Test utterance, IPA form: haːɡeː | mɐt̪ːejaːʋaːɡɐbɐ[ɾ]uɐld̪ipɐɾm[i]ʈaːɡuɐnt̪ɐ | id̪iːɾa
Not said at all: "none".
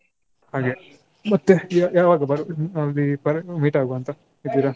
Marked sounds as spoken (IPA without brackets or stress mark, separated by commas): ɾ, iː